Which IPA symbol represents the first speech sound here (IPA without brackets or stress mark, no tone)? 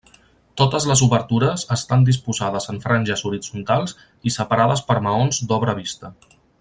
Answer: t̪